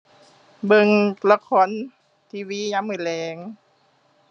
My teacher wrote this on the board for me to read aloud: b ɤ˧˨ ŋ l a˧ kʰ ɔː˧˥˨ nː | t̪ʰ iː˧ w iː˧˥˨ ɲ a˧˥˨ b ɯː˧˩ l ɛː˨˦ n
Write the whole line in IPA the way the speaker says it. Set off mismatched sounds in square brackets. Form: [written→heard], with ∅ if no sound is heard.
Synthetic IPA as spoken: b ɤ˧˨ ŋ l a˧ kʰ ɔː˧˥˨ [nː→n] | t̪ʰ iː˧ w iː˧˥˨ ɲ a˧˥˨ [b→m] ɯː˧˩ l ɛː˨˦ [n→ŋ]